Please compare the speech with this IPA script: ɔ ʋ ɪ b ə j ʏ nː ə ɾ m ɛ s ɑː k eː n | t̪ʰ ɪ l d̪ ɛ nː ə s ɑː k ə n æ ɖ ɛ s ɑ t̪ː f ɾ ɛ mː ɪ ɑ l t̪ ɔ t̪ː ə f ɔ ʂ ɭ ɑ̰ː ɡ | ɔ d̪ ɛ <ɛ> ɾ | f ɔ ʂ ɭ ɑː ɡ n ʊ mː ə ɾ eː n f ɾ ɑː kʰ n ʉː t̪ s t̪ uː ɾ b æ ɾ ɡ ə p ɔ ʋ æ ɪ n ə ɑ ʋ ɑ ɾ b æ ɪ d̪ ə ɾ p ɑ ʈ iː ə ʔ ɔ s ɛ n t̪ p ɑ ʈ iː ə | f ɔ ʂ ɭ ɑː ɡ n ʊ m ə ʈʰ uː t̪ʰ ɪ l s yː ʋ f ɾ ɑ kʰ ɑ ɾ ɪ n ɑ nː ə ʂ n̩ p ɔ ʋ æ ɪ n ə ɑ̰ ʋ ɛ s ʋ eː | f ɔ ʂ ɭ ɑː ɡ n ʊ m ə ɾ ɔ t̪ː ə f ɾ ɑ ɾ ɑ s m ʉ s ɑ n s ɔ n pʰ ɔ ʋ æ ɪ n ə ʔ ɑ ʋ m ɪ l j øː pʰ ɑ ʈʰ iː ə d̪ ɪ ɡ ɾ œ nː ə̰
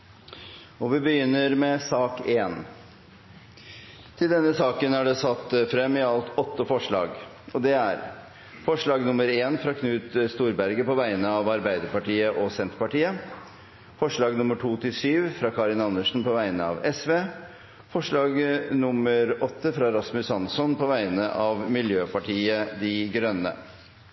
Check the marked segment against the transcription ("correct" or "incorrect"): incorrect